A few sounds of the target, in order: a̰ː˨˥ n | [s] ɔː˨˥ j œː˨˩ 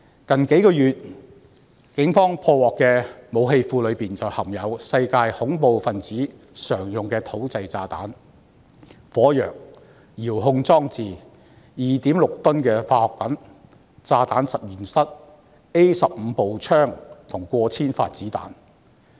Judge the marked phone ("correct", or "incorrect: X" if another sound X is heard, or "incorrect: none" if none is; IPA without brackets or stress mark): incorrect: f